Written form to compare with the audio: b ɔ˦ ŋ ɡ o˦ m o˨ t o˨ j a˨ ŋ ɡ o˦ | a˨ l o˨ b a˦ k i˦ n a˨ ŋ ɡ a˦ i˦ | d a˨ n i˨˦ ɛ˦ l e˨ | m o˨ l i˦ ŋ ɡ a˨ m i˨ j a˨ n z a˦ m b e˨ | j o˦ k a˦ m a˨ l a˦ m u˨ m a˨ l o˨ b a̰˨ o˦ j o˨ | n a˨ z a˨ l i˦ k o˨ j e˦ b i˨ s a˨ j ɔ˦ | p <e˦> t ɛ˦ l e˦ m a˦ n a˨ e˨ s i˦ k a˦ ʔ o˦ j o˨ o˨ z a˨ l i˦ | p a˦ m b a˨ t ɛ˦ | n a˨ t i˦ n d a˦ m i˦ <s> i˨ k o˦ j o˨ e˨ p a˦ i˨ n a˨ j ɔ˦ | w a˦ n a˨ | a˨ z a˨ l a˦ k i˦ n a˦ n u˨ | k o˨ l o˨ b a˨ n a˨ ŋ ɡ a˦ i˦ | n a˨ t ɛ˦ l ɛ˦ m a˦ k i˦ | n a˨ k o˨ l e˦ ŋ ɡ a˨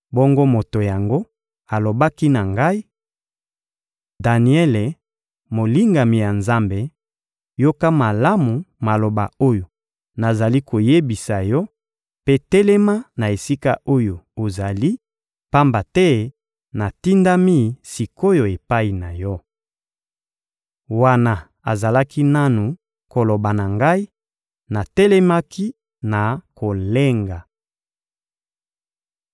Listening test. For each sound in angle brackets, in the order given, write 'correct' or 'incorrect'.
correct, correct

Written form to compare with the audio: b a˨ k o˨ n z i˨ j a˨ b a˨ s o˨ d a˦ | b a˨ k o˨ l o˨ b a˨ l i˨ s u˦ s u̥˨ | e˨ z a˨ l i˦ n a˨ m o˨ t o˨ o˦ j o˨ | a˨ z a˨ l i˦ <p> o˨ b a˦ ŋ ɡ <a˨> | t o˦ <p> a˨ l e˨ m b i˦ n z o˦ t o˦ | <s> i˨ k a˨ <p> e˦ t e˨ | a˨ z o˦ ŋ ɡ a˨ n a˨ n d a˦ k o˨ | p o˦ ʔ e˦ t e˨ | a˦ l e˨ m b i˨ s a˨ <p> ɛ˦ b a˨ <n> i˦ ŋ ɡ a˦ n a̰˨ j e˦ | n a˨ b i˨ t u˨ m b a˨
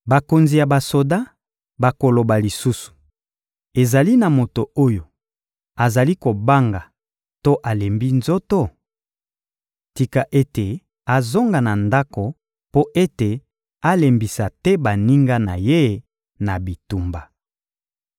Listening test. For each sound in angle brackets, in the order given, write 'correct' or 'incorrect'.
incorrect: k, correct, incorrect: ʔ, incorrect: t, incorrect: ʔ, incorrect: t, correct

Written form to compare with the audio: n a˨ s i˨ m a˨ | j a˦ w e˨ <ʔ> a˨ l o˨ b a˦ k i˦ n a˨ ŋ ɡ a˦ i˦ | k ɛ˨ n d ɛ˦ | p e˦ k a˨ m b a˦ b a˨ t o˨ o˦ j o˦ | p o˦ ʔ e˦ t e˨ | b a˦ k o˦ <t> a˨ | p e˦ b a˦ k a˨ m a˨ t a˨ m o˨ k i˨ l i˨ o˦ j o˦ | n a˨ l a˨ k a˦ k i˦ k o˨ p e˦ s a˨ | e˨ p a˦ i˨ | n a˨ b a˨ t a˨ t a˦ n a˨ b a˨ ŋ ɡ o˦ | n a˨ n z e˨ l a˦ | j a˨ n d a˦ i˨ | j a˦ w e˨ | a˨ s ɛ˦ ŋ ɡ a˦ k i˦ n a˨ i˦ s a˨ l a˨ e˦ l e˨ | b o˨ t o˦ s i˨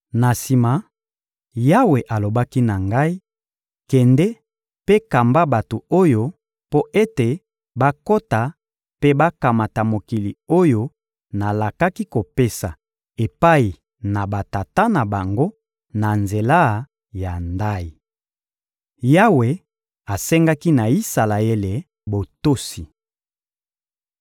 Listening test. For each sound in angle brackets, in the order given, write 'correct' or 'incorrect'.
correct, correct

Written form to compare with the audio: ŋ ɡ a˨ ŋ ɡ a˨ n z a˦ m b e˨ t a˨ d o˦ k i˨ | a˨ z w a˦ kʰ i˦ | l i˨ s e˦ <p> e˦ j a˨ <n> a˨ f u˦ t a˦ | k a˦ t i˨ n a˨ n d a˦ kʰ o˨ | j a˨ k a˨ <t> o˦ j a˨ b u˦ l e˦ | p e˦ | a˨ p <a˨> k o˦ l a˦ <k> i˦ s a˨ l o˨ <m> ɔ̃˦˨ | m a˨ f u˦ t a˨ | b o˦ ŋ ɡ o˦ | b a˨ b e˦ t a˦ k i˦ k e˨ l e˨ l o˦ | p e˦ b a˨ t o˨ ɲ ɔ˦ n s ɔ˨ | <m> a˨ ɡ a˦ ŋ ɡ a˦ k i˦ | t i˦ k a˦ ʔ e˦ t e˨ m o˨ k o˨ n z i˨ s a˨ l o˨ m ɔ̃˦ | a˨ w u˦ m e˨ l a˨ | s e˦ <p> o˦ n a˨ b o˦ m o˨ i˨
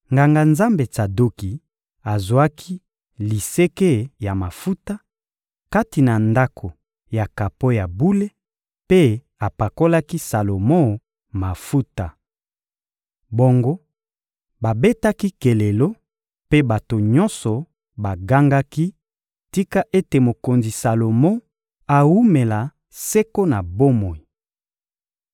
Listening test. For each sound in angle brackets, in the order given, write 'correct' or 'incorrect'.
incorrect: k, incorrect: m, incorrect: p, correct, correct, correct, incorrect: b, incorrect: k

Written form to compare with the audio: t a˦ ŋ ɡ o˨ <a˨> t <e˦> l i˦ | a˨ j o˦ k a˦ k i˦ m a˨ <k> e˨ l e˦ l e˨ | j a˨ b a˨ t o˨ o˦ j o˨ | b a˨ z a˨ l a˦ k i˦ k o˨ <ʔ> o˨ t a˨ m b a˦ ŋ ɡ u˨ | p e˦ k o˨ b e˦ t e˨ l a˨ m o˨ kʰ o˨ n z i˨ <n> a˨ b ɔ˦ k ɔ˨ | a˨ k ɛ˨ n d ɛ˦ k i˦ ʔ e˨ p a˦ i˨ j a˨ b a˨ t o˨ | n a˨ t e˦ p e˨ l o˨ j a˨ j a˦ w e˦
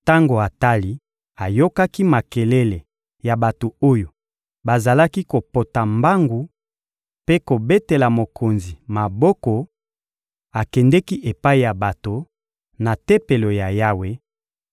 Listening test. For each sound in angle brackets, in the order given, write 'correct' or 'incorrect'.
correct, incorrect: a˦, correct, incorrect: p, incorrect: m

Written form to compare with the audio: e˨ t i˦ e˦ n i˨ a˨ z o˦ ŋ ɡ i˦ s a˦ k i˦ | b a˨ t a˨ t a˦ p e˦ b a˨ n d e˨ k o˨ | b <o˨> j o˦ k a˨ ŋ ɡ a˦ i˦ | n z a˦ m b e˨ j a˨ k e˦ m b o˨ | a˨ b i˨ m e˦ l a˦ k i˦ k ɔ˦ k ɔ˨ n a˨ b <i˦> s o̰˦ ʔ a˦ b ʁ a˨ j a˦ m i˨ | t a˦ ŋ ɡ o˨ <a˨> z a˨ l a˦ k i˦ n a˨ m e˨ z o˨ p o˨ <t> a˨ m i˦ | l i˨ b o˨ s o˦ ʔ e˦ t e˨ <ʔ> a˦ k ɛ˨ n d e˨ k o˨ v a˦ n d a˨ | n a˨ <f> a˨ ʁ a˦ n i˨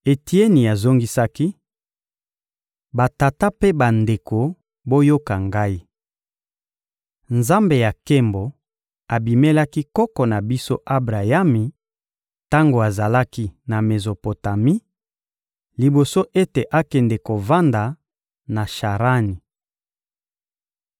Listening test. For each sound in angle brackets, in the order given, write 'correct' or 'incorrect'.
incorrect: o˦, correct, correct, correct, correct, incorrect: ʃ

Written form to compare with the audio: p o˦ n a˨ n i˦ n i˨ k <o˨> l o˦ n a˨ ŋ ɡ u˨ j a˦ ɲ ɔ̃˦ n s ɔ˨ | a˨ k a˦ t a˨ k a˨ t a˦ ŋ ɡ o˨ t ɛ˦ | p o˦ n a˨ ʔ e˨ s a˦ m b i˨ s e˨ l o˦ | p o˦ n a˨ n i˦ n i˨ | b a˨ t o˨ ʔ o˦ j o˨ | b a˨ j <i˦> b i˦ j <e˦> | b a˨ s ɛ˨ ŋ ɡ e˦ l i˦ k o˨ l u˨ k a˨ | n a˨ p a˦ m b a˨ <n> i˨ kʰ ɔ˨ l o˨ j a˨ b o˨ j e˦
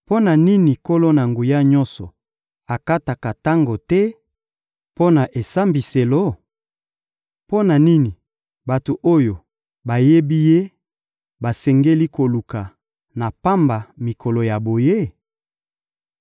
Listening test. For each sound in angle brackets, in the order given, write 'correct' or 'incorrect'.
incorrect: o˦, incorrect: e˦, correct, incorrect: m

